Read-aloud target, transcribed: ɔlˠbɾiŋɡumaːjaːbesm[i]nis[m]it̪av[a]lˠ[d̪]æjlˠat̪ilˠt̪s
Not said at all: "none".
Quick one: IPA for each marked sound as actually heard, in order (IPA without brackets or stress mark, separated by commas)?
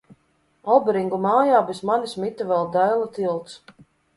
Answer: a, m, ɛ, d̪